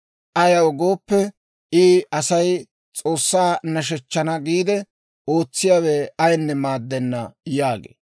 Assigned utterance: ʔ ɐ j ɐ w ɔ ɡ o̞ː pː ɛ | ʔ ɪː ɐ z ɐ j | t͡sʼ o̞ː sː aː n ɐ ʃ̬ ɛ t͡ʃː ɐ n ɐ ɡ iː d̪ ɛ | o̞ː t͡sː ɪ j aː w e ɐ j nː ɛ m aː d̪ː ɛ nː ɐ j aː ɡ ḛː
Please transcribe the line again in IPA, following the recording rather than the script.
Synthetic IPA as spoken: ʔ ɐ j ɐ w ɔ ɡ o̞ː pː ɛ | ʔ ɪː ɐ s ɐ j | t͡sʼ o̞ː sː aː n ɐ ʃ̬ ɛ t͡ʃː ɐ n ɐ ɡ iː d̪ ɛ | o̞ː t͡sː ɪ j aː w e ɐ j nː ɛ m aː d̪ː ɛ nː ɐ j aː ɡ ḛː